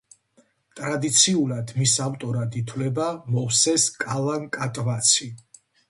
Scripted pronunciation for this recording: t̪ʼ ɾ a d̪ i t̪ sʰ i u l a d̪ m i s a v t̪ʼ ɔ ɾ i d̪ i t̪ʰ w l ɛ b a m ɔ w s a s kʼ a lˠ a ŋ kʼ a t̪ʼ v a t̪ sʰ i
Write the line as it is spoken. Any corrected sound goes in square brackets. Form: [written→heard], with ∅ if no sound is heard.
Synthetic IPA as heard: t̪ʼ ɾ a d̪ i t̪ sʰ i u l a d̪ m i s a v t̪ʼ ɔ ɾ [i→a] d̪ i t̪ʰ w l ɛ b a m ɔ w s [a→ɛ] s kʼ a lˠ a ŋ kʼ a t̪ʼ v a t̪ sʰ i